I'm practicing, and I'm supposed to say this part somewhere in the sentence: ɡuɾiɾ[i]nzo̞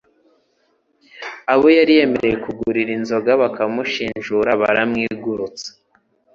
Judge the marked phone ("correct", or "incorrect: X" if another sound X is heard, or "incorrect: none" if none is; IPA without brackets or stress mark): correct